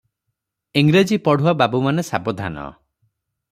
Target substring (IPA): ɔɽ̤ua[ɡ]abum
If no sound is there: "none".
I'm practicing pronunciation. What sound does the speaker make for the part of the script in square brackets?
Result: b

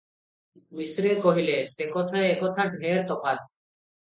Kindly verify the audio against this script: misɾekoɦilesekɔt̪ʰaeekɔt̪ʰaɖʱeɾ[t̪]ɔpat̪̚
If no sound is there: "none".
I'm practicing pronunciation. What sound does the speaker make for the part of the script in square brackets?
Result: t̪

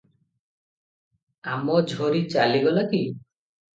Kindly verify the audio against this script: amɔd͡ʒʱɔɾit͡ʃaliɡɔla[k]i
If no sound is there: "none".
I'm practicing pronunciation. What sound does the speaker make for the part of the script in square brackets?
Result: k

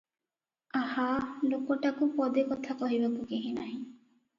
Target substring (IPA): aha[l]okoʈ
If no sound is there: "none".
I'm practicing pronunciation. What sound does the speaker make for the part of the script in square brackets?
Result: l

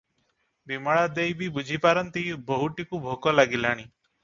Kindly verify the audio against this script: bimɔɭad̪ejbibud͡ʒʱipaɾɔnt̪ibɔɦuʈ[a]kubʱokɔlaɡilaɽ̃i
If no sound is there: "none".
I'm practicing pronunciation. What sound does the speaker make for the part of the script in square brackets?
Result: i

